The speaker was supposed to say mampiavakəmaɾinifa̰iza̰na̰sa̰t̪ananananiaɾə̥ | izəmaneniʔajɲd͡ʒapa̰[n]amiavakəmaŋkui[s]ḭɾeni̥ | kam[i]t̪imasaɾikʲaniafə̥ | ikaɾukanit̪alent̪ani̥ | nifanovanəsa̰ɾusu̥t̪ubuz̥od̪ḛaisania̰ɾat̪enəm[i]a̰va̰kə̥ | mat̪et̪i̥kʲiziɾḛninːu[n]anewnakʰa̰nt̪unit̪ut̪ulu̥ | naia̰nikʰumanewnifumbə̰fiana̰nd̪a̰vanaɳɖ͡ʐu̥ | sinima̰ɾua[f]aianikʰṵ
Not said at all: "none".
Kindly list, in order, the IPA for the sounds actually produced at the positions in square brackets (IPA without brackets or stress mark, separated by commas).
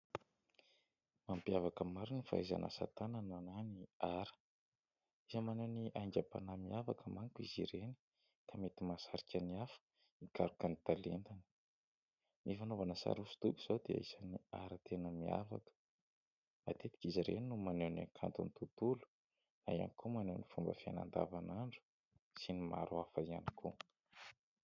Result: n, z, e, i, m, f